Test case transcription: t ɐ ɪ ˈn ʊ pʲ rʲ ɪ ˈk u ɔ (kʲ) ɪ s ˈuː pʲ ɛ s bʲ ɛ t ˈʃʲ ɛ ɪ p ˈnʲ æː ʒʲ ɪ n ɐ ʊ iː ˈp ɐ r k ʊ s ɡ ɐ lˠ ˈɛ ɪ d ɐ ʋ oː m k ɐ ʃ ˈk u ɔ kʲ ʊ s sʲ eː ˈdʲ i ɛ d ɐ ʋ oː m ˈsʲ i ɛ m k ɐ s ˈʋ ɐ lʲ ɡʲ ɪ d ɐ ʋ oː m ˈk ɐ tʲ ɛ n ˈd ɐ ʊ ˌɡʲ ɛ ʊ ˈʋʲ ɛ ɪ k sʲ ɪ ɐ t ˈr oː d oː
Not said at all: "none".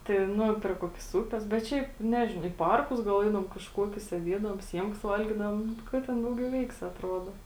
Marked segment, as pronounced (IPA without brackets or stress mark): kʲ